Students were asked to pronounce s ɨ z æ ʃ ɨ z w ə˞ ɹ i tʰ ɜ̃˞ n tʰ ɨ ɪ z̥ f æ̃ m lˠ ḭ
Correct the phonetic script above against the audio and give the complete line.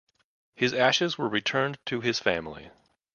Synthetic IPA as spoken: h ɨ z æ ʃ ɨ z w ə˞ ɹ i tʰ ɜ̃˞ n tʰ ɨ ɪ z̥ f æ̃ m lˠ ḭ

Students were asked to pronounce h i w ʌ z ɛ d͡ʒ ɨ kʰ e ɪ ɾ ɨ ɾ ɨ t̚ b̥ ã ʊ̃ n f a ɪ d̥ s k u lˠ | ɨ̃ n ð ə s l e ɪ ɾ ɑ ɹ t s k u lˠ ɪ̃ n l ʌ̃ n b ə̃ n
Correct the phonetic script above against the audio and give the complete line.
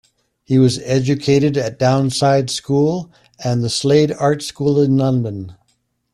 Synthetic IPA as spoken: h i w ʌ z ɛ d͡ʒ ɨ kʰ e ɪ ɾ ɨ ɾ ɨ t̚ d̥ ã ʊ̃ n s a ɪ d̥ s k u lˠ | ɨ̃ n ð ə s l e ɪ ɾ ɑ ɹ t s k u lˠ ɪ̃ n l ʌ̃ n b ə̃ n

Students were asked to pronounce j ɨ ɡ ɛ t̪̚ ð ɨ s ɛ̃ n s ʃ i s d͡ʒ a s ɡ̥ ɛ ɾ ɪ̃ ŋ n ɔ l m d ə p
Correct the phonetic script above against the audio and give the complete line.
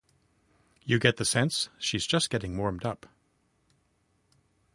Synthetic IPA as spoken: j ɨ ɡ ɛ t̪̚ ð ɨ s ɛ̃ n s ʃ i z d͡ʒ ʌ s ɡ̥ ɛ ɾ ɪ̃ ŋ m ɔ ɹ m d ʌ p

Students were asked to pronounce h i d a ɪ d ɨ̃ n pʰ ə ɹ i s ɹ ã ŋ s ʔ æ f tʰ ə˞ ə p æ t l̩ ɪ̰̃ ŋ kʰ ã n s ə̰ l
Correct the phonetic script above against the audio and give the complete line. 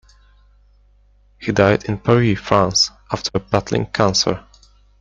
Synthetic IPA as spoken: h i d a ɪ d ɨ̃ n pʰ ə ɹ i f ɹ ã n s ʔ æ f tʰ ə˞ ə b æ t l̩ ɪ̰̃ ŋ kʰ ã n s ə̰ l

